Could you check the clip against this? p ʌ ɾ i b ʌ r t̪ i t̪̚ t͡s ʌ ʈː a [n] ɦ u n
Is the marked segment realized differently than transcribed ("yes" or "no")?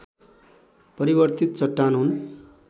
no